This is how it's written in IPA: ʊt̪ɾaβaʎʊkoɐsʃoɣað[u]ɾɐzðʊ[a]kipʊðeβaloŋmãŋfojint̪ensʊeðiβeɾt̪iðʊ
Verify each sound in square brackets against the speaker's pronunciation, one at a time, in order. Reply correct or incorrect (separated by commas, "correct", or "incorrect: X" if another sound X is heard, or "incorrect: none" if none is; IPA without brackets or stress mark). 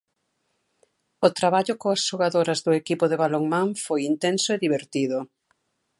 incorrect: o, incorrect: e